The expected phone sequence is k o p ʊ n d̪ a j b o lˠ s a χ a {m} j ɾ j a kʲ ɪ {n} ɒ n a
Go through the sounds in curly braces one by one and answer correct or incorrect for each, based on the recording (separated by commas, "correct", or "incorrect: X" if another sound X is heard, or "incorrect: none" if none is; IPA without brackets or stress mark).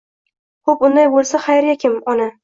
incorrect: none, incorrect: m